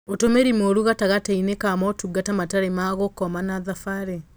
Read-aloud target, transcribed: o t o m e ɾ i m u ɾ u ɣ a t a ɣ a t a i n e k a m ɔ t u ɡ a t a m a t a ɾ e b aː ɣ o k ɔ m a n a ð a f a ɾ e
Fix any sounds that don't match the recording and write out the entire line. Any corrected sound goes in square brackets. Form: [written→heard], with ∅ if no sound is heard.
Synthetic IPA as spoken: o t o m e ɾ i m [u→o] ɾ u ɣ a t a ɣ a t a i n e k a m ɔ t u ɡ a t a m a t a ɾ e [b→m] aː ɣ o k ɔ m a n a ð a f a ɾ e